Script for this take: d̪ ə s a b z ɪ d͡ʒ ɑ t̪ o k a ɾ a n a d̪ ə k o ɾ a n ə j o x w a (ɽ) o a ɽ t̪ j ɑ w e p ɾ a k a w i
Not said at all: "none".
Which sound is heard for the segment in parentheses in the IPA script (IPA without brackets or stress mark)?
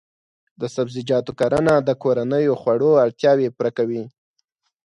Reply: ɽ